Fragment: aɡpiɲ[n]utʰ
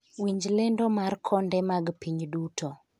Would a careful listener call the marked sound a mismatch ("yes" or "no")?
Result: yes